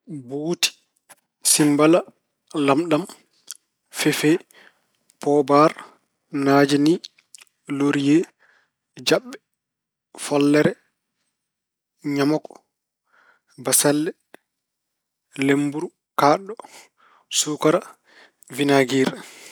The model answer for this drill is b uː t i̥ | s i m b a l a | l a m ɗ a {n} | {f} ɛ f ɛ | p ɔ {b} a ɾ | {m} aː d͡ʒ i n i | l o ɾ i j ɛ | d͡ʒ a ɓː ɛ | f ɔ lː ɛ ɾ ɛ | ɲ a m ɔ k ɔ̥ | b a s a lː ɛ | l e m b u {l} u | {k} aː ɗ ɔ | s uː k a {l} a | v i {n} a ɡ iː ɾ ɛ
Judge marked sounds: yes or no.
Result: no, yes, yes, no, no, yes, no, yes

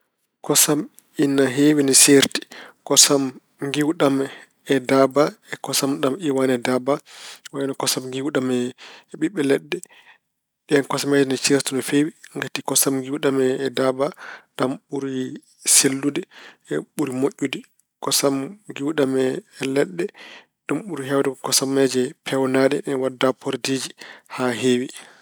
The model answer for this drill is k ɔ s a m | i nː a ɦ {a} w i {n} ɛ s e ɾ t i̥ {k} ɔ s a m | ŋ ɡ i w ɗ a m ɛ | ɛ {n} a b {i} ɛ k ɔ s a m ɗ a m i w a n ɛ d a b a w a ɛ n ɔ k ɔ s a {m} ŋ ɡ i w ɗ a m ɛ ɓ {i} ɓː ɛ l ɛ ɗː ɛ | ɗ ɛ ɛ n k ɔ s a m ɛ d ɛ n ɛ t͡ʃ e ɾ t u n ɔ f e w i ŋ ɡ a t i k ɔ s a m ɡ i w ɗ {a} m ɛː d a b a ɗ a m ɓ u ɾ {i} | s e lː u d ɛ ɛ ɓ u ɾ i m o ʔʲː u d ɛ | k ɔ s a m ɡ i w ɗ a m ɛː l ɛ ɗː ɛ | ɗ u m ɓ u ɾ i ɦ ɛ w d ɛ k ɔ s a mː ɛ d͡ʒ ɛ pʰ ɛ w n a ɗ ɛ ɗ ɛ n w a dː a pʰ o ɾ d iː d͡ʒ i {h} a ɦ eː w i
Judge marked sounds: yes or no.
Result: no, yes, yes, no, no, yes, yes, yes, yes, yes

